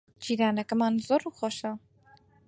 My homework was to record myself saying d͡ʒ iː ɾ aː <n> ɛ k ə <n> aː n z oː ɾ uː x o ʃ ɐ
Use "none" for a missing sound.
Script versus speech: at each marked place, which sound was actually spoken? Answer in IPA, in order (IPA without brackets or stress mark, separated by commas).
n, m